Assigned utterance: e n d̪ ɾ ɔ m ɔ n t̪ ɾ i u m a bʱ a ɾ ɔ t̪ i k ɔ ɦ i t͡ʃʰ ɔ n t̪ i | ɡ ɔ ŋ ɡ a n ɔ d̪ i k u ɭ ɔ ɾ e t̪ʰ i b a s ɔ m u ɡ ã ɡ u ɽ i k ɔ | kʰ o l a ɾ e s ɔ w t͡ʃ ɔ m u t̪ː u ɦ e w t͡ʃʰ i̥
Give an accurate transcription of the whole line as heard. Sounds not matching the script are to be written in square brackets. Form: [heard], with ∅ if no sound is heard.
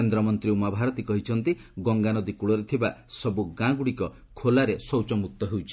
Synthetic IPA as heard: e n d̪ ɾ ɔ m ɔ n t̪ ɾ i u m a bʱ a ɾ ɔ t̪ i k ɔ ɦ i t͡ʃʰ ɔ n t̪ i | ɡ ɔ ŋ ɡ a n ɔ d̪ i k u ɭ ɔ ɾ e t̪ʰ i b a s ɔ [b] u ɡ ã ɡ u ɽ i k ɔ | kʰ o l a ɾ e s ɔ w t͡ʃ ɔ m u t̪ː [ɔ] ɦ e w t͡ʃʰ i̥

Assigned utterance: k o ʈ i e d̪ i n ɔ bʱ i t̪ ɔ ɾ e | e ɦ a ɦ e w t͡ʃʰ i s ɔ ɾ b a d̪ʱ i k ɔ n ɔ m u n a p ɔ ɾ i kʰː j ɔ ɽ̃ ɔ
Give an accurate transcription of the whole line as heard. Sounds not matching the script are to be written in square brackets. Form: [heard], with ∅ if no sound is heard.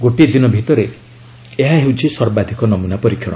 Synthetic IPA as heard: [ɡ] o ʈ i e d̪ i n ɔ bʱ i t̪ ɔ ɾ e | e ɦ a ɦ e w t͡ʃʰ i s ɔ ɾ b a d̪ʱ i k ɔ n ɔ m u n a p ɔ ɾ i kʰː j ɔ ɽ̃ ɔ

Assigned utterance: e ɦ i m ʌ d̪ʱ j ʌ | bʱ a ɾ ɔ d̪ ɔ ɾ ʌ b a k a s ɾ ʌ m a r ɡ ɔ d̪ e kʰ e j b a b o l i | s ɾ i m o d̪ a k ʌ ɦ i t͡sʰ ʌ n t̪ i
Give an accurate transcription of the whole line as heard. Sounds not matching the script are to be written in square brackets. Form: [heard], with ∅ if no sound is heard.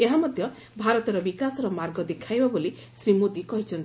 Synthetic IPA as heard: e ɦ [a] m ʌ d̪ʱ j ʌ | bʱ a ɾ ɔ [t̪] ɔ ɾ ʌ b [i] k a s ɾ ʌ m a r ɡ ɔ d̪ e kʰ [a] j b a b o l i | s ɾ i m o d̪ [i] k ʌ ɦ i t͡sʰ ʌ n t̪ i

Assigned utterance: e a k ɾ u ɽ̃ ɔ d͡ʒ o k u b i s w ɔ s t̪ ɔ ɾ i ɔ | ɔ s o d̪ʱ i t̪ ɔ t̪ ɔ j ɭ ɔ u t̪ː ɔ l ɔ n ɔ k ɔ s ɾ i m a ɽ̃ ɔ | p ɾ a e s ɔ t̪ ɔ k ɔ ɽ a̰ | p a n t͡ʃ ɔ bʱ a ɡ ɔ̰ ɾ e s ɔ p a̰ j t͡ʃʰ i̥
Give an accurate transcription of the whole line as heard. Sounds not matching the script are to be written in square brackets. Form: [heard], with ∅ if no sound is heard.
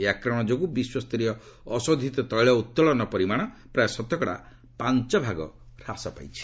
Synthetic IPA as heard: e a k ɾ [ɔ] ɽ̃ ɔ d͡ʒ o k u b i s w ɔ s t̪ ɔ ɾ i ɔ | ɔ s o d̪ʱ i t̪ ɔ t̪ ɔ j ɭ ɔ u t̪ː ɔ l ɔ n ɔ [p] ɔ [∅] ɾ i m a ɽ̃ ɔ | p ɾ a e s ɔ t̪ ɔ k ɔ ɽ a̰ | p a n t͡ʃ ɔ bʱ a ɡ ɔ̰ ɾ [a] s ɔ p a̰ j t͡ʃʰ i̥

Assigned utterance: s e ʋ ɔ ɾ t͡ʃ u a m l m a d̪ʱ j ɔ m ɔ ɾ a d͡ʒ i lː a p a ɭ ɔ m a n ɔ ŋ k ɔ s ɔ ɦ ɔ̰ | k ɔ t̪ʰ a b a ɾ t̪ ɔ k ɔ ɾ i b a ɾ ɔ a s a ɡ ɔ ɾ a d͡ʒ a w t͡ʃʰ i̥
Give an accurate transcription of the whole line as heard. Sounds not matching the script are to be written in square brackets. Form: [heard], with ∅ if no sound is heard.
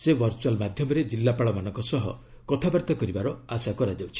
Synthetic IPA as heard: s e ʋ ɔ ɾ t͡ʃ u a [∅] l m a d̪ʱ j ɔ m ɔ ɾ [e] d͡ʒ i lː a p a ɭ ɔ m a n ɔ ŋ k ɔ s ɔ ɦ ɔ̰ | k ɔ t̪ʰ a b a ɾ t̪ ɔ k ɔ ɾ i b a ɾ ɔ a s a [k] ɔ ɾ a d͡ʒ a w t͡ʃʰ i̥

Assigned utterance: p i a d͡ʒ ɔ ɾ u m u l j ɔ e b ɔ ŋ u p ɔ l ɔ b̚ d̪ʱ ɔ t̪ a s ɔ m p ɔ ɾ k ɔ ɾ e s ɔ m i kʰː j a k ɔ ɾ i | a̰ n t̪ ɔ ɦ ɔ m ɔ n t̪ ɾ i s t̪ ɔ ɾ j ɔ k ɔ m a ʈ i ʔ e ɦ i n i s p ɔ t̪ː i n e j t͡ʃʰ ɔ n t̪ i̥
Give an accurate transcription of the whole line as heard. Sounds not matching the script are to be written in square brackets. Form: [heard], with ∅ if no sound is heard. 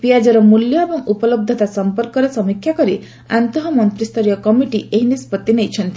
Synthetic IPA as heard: p i a d͡ʒ ɔ ɾ [ɔ] m u l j ɔ e b ɔ ŋ u p ɔ l ɔ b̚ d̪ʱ ɔ t̪ a s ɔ m p ɔ ɾ k ɔ ɾ e s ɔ m i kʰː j a k ɔ ɾ i | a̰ n t̪ ɔ ɦ ɔ m ɔ n t̪ ɾ i s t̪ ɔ ɾ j ɔ k ɔ m [i] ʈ i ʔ e ɦ i n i s p ɔ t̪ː i n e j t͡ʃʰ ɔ n t̪ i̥

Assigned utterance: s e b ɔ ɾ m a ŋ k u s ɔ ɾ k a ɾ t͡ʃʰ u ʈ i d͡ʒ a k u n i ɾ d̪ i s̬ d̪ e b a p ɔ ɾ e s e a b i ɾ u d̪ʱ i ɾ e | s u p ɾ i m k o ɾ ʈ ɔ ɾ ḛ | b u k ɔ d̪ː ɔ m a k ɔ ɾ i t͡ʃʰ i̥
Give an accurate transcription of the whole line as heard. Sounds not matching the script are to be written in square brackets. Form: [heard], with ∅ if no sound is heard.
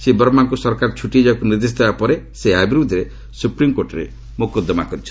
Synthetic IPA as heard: s e b ɔ ɾ m a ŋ k u s ɔ ɾ k a ɾ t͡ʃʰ u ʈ i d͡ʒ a k u n i ɾ d̪ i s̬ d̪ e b a p ɔ ɾ e s e a b i ɾ u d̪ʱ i ɾ e | s u p ɾ i m k o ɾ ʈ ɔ ɾ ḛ | [m] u k ɔ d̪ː ɔ m a k ɔ ɾ i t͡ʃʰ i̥

